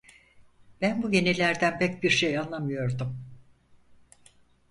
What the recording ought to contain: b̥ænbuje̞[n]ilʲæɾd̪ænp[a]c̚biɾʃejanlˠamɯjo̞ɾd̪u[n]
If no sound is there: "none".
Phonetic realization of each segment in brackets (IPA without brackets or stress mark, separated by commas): n, ɛ, m